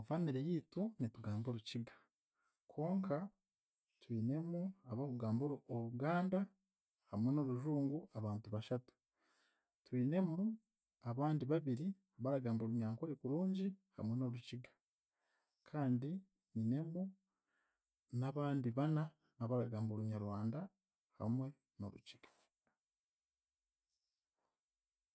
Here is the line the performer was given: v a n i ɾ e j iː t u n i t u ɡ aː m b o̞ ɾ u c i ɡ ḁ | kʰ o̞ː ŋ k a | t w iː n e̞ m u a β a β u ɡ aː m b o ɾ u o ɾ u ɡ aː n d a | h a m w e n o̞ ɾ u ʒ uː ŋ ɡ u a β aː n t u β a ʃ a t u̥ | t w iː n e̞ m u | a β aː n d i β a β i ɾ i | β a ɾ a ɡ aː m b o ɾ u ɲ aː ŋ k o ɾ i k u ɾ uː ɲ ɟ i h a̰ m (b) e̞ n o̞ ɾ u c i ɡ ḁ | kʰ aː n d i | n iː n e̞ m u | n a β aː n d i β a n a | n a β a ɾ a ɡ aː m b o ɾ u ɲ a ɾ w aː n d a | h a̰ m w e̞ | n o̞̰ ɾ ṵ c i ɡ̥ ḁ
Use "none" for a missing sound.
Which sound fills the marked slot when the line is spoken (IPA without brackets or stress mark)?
w